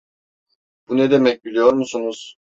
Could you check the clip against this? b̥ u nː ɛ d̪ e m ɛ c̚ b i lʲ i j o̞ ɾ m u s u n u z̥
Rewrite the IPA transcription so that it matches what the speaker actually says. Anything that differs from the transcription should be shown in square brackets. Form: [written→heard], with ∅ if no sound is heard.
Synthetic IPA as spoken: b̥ u [nː→n] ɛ d̪ e m ɛ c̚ b i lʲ i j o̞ ɾ m u s u n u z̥

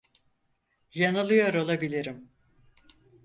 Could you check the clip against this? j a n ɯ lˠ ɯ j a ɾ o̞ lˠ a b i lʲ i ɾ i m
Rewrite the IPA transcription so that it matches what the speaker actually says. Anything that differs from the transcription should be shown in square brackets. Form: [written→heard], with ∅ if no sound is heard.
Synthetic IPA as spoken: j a n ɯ lˠ ɯ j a ɾ o̞ lˠ a b i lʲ i ɾ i m

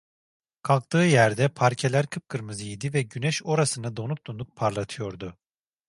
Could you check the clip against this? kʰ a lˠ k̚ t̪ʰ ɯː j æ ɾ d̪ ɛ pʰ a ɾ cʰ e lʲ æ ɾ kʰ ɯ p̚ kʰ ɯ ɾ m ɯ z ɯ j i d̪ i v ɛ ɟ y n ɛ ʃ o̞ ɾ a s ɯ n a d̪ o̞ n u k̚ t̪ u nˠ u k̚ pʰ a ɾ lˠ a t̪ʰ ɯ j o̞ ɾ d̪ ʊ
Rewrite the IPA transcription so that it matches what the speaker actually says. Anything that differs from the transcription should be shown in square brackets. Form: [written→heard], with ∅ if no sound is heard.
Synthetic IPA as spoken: kʰ a lˠ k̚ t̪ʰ ɯː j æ ɾ d̪ ɛ pʰ a ɾ cʰ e lʲ æ ɾ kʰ ɯ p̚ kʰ ɯ ɾ m ɯ z ɯ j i d̪ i v ɛ ɟ y n ɛ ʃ o̞ ɾ a s ɯ n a d̪ o̞ n u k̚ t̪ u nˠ u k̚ pʰ a ɾ lˠ a t̪ʰ ɯ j o̞ ɾ d̪ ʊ

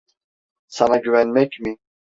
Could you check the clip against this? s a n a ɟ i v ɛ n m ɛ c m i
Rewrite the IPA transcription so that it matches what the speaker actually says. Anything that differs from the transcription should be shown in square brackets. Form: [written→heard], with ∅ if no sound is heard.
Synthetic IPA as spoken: s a n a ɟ [i→y] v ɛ n m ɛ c m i

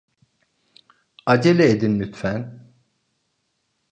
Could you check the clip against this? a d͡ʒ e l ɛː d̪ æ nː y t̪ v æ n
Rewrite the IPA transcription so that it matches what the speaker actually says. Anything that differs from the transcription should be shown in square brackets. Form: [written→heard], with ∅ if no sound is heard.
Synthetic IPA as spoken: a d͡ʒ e l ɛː d̪ [æ→i] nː y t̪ [v→f] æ n

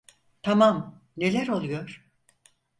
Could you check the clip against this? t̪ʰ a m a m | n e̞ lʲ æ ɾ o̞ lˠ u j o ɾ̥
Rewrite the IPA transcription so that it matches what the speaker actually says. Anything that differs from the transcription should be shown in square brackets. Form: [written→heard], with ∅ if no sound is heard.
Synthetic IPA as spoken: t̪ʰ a m a m | n e̞ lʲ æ ɾ o̞ lˠ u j o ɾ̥

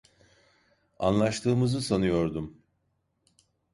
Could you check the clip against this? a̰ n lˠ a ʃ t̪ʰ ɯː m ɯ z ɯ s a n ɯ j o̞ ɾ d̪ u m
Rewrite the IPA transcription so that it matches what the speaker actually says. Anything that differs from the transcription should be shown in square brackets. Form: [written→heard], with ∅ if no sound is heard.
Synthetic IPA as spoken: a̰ n lˠ a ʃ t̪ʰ ɯː m ɯ z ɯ s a n [ɯ→u] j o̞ ɾ d̪ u m

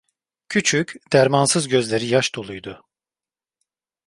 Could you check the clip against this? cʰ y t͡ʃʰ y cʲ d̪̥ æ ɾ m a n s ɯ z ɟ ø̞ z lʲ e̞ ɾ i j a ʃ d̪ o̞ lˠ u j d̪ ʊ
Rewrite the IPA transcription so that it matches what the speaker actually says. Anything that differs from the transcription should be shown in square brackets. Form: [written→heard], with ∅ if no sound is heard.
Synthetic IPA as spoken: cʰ y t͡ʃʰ y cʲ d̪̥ æ ɾ m a n s ɯ z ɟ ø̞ z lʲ e̞ ɾ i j a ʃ d̪ o̞ lˠ u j d̪ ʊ

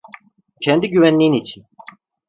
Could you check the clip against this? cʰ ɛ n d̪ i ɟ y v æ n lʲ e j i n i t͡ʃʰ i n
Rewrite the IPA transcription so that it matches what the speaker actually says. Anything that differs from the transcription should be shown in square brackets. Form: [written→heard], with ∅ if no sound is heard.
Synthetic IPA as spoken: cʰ ɛ n d̪ i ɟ y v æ n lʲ [e→i] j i n i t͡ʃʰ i n

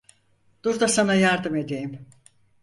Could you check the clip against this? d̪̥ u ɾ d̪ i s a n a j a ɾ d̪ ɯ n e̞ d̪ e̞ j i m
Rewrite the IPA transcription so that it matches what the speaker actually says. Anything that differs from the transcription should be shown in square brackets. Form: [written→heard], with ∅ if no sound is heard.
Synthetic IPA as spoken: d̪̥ u ɾ d̪ [i→a] s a n a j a ɾ d̪ ɯ [n→m] e̞ d̪ e̞ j i m

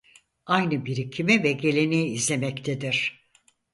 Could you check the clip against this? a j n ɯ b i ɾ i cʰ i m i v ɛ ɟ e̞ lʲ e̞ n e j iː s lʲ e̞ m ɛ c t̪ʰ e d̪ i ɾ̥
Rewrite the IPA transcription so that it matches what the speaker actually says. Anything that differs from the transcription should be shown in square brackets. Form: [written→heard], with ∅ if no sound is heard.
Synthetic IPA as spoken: a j n ɯ b i ɾ i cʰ i m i v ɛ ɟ e̞ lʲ e̞ n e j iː [s→z] lʲ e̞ m ɛ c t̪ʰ e d̪ i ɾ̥

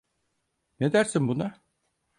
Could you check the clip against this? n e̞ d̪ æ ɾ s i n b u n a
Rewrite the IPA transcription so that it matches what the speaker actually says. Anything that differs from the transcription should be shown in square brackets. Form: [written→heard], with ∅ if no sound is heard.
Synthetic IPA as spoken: n e̞ d̪ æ ɾ s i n b u n a

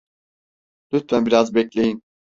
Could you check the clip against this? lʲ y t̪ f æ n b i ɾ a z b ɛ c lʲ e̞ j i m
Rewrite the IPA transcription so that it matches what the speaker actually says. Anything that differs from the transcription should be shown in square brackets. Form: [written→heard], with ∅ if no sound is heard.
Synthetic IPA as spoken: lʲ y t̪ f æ n b i ɾ a z b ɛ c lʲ e̞ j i [m→n]

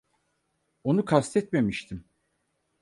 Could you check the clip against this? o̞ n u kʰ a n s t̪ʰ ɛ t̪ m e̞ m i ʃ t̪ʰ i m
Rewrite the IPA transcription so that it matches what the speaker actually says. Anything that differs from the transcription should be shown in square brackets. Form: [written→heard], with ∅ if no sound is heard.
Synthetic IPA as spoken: o̞ n u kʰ a [n→∅] s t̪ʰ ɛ t̪ m e̞ m i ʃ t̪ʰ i m

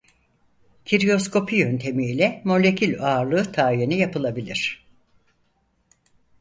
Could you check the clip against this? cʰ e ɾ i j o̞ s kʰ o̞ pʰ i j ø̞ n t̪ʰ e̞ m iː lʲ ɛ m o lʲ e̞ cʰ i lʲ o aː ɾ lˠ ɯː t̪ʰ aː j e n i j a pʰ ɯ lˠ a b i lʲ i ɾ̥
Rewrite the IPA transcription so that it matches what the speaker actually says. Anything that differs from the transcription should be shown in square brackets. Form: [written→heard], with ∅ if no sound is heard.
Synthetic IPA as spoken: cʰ [e→i] ɾ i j o̞ s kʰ o̞ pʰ i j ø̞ n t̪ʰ e̞ m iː lʲ ɛ m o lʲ e̞ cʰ i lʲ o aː ɾ lˠ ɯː t̪ʰ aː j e n i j a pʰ ɯ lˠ a b i lʲ i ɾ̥

